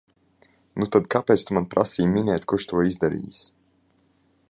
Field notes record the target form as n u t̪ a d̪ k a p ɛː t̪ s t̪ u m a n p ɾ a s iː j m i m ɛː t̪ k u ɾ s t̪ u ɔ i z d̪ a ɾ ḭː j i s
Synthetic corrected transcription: n u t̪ a d̪ k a p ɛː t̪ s t̪ u m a n p ɾ a s iː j m i n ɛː t̪ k u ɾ ʃ t̪ u ɔ i z d̪ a ɾ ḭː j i s